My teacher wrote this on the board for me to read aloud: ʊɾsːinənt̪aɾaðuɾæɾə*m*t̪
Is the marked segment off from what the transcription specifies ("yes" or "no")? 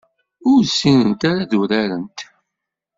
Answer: yes